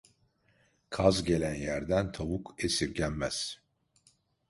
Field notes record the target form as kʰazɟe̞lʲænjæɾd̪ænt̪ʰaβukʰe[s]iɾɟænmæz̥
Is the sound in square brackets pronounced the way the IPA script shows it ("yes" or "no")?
yes